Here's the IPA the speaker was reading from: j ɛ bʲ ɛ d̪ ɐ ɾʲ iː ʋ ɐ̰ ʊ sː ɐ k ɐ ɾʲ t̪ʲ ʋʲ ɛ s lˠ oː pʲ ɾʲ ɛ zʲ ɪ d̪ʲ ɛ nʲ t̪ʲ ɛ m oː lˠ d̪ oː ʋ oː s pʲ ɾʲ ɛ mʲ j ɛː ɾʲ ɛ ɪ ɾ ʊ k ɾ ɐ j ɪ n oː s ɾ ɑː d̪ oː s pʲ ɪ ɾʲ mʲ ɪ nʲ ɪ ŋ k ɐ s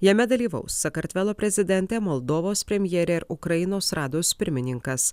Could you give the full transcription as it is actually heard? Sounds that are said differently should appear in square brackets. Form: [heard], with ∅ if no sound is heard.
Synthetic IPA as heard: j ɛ [mʲ] ɛ d̪ ɐ [lʲ] iː ʋ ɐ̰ ʊ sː ɐ k ɐ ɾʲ t̪ʲ ʋʲ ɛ [∅] lˠ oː pʲ ɾʲ ɛ zʲ ɪ d̪ʲ ɛ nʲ t̪ʲ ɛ m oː lˠ d̪ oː ʋ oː s pʲ ɾʲ ɛ mʲ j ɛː ɾʲ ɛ ɪ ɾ ʊ k ɾ ɐ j ɪ n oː s ɾ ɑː d̪ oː s pʲ ɪ ɾʲ mʲ ɪ nʲ ɪ ŋ k ɐ s